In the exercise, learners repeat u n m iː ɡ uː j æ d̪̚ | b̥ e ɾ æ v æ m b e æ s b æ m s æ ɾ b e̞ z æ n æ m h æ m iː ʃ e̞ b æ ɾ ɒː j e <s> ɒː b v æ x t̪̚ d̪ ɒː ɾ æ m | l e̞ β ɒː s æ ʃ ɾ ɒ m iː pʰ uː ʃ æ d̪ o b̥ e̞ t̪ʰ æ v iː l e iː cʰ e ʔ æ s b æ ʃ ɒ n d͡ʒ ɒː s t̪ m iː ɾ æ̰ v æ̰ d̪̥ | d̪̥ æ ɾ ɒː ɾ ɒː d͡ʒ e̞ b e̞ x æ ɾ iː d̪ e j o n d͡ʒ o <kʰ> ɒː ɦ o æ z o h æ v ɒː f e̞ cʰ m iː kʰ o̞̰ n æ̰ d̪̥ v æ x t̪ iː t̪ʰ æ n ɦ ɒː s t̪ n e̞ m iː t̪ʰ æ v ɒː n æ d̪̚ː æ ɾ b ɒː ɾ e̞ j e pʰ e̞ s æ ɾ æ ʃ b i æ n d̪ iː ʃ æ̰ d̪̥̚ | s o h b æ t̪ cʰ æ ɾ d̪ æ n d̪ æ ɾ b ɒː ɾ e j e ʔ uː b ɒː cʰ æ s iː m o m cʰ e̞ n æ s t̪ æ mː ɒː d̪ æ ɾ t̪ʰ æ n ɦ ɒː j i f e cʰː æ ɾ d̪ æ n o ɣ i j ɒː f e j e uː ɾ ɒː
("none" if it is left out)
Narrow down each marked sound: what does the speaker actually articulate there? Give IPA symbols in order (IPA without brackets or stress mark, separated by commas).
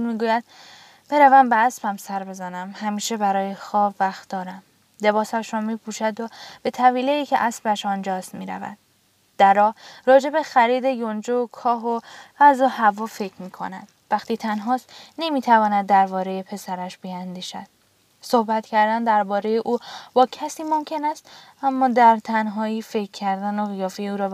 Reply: x, kʰ